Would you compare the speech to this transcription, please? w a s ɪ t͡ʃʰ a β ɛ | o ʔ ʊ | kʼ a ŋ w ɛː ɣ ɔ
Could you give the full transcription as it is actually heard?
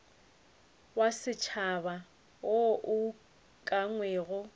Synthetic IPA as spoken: w a s ɪ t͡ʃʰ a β a | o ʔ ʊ | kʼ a ŋ w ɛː ɣ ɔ

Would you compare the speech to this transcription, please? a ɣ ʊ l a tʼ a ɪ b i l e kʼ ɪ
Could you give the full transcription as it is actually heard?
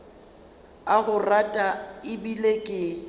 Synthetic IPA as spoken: a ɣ ʊ r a tʼ a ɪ b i l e kʼ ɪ

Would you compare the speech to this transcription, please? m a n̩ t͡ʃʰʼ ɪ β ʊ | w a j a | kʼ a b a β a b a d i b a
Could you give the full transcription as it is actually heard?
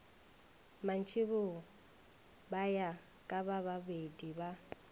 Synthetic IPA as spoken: m a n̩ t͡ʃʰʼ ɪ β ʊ | b a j a | kʼ a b a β a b e d i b a

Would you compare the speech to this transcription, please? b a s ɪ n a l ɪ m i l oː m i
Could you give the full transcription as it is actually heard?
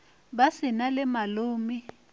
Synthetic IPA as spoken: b a s ɪ n a l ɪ m a l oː m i

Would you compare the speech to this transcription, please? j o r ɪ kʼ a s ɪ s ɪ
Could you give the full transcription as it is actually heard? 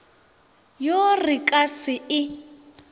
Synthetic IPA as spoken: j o r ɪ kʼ a s ɪ ɪ

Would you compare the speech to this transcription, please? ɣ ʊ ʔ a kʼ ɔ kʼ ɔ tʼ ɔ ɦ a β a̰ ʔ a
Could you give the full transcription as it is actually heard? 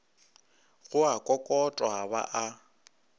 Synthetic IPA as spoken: ɣ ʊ a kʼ ɔ kʼ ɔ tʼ ɔ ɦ a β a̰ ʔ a

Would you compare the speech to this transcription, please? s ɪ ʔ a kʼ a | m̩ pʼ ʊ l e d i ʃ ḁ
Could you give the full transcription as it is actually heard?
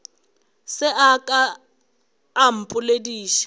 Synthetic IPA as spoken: s ɪ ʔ a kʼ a | m̩ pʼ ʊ l e d iː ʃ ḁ

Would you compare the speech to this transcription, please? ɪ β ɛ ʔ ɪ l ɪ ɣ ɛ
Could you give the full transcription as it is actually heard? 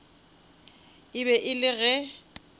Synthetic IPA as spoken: ɪ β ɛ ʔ ɪ l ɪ ɣ ɛ

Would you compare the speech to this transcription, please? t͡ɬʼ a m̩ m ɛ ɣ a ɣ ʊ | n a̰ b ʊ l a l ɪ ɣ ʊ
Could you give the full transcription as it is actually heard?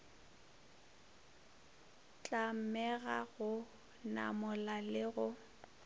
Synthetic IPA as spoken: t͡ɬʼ a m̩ m ɛ ɣ a ɣ ʊ | n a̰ m ʊ l a l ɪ ɣ ʊ

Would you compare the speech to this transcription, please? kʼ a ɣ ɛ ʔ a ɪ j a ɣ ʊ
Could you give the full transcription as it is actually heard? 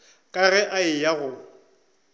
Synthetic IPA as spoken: kʼ a ɣ ɛ ʔ a ɪ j a ɣ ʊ

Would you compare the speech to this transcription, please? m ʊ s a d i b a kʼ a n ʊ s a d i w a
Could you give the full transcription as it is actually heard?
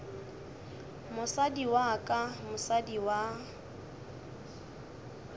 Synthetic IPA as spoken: m ʊ s a d i w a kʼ a m ʊ s a d i w a

